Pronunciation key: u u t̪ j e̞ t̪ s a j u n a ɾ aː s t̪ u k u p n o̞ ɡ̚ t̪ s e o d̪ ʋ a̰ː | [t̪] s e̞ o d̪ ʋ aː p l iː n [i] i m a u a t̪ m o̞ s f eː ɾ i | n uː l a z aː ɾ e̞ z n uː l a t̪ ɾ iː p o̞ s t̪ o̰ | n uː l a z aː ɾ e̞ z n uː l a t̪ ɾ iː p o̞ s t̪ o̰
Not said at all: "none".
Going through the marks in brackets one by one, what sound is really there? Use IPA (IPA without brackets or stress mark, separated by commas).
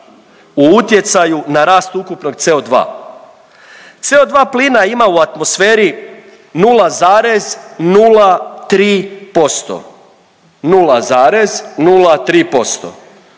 t̪, a